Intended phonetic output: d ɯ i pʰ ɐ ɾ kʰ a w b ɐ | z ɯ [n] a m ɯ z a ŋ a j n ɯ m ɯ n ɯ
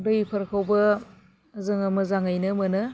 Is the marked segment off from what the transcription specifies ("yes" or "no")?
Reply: yes